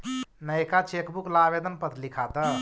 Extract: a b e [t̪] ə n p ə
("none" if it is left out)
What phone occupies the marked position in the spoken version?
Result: d̪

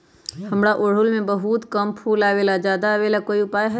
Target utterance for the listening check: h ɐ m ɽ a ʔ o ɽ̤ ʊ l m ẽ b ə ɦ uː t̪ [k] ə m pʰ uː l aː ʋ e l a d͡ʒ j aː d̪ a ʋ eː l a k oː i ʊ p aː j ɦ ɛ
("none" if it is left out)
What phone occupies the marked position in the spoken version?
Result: k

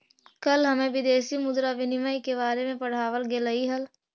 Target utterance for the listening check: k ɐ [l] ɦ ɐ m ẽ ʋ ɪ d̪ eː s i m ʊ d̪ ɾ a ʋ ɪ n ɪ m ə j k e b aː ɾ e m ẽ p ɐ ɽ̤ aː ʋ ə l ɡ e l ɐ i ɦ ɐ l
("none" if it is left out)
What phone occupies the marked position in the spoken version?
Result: l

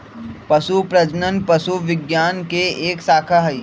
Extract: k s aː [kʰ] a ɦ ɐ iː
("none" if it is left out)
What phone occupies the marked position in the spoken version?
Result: kʰ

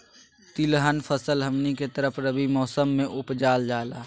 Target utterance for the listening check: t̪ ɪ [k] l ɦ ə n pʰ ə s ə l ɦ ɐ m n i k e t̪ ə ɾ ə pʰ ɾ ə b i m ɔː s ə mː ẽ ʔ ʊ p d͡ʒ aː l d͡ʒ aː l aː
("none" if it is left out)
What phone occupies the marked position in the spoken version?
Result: none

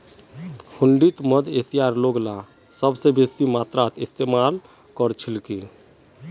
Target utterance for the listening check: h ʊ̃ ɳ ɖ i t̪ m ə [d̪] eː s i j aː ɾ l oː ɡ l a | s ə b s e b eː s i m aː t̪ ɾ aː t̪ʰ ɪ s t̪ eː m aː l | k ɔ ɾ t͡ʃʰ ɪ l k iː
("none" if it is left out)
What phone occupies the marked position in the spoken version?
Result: d̪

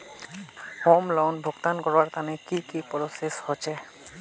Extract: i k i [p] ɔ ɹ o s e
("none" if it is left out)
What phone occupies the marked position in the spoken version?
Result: p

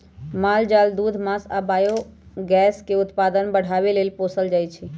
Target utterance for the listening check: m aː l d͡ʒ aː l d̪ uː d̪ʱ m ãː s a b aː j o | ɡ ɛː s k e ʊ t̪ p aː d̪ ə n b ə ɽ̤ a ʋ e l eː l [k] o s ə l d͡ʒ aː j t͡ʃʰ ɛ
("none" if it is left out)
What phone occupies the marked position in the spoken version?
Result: p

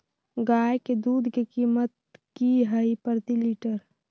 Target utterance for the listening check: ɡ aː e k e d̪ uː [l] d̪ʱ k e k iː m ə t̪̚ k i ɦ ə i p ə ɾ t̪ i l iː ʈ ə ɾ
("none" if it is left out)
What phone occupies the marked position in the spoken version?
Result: none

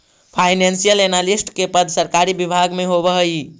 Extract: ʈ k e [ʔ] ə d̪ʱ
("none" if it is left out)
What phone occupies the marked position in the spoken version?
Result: p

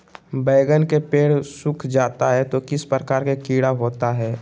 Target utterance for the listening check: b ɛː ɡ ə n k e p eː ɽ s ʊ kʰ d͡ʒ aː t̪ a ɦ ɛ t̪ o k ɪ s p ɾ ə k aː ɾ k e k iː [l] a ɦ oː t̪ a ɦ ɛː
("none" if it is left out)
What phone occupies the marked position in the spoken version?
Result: ɽ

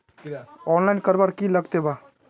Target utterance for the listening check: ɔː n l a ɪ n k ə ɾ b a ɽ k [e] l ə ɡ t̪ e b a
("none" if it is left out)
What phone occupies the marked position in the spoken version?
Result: i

